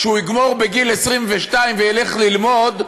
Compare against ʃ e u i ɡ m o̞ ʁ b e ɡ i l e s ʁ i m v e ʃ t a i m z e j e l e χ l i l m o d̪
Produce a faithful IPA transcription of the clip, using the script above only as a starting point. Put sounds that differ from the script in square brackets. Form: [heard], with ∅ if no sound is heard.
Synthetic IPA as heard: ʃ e u i ɡ m o̞ ʁ b e ɡ i l e s ʁ i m v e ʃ t a i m [v] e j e l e χ l i l m o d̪